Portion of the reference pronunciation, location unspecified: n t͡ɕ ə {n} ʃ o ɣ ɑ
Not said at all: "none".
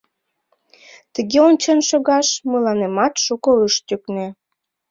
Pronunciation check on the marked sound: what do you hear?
n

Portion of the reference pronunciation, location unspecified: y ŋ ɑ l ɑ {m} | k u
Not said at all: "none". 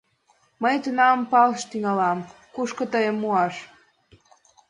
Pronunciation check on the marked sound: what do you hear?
m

